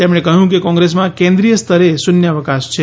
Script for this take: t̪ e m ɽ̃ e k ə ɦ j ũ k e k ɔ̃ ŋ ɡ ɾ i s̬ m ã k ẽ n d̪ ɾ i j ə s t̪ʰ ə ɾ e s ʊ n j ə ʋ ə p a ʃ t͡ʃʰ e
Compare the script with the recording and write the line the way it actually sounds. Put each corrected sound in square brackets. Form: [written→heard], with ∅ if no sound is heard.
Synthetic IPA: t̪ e m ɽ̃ e k ə ɦ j ũ k e k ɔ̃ ŋ ɡ ɾ [i→e] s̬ m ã k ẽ n d̪ ɾ i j ə s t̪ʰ ə ɾ e s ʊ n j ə ʋ ə [p→k] a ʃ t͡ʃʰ e